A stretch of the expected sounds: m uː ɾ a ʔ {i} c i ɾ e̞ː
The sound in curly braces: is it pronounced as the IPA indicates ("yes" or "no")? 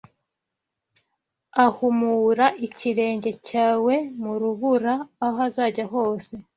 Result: yes